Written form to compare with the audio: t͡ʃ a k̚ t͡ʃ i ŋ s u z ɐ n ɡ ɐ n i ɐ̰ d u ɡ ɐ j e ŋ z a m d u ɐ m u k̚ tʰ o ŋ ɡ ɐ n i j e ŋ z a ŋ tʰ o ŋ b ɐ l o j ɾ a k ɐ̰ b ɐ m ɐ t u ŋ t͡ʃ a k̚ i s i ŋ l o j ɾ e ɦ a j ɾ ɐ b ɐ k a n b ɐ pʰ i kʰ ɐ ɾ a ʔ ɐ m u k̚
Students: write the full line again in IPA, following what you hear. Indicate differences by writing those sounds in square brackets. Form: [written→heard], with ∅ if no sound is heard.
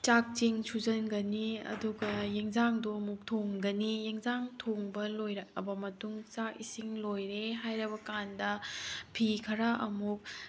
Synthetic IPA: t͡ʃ a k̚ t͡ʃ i ŋ s u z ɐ n ɡ ɐ n i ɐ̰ d u ɡ ɐ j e ŋ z a [m→ŋ] d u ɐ m u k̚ tʰ o ŋ ɡ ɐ n i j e ŋ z a ŋ tʰ o ŋ b ɐ l o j ɾ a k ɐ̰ b ɐ m ɐ t u ŋ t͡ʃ a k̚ i s i ŋ l o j ɾ e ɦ a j ɾ ɐ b ɐ k a n [b→d] ɐ pʰ i kʰ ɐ ɾ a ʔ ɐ m u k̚